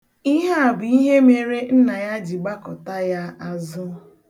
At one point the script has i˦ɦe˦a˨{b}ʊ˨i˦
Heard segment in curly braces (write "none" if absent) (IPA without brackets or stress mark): b